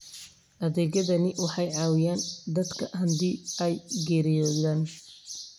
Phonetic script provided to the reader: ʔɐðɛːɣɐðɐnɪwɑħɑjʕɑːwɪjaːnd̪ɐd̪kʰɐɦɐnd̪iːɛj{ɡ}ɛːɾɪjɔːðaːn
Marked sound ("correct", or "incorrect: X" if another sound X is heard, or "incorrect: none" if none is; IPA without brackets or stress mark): correct